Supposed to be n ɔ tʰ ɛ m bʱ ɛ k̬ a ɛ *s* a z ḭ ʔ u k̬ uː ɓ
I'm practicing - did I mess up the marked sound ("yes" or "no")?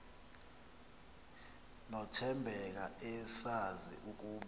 no